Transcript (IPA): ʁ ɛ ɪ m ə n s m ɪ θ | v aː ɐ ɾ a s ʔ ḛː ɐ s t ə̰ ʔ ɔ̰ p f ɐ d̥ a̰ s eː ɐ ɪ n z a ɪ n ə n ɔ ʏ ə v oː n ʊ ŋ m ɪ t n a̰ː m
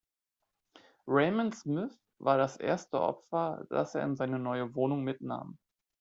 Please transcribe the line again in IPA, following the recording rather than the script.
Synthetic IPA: ʁ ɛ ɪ m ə n s m ɪ θ | v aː ɐ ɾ a s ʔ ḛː ɐ s t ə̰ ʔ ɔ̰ p f ɐ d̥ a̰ s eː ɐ ɪ n z a ɪ n ə n ɔ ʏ ə v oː n ʊ ŋ m ɪ t n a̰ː m

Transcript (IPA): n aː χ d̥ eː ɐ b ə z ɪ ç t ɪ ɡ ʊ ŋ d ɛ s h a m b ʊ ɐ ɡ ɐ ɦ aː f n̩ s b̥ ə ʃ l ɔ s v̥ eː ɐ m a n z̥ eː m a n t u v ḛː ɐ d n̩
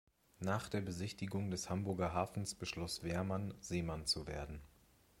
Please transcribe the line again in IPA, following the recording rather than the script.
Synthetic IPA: n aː χ d̥ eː ɐ b ə z ɪ ç t ɪ ɡ ʊ ŋ d ɛ s h a m b ʊ ɐ ɡ ɐ ɦ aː f n̩ s b̥ ə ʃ l ɔ s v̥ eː ɐ m a n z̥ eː m a n t͡s u v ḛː ɐ d n̩

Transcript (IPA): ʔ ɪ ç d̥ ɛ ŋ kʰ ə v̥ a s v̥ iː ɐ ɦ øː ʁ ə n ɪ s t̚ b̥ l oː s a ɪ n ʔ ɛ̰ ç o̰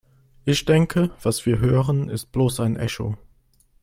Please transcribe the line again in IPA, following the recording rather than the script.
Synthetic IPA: ʔ ɪ ç d̥ ɛ ŋ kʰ ə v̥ a s v̥ iː ɐ ɦ øː ʁ ə n ɪ s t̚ b̥ l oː s a ɪ n ʔ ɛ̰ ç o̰

